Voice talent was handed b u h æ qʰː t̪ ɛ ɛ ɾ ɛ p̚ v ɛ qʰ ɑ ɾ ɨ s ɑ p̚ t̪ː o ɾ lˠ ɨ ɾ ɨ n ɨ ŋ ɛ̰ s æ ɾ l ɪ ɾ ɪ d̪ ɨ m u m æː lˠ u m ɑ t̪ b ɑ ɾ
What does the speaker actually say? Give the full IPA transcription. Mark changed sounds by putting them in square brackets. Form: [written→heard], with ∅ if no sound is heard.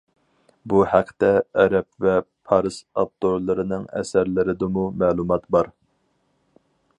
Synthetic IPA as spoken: b u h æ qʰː t̪ ɛ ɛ ɾ ɛ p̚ v ɛ [qʰ→pʰ] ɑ ɾ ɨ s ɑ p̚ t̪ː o ɾ lˠ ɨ ɾ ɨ n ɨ ŋ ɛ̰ s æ ɾ l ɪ ɾ ɪ d̪ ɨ m u m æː lˠ u m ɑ t̪ b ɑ ɾ